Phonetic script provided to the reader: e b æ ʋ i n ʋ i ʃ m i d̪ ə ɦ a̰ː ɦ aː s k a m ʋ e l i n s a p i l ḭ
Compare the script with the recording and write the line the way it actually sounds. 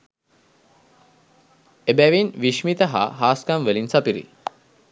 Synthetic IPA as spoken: e b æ ʋ i n ʋ i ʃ m i t̪ ə ɦ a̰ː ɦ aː s k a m ʋ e l i n s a p i ɾ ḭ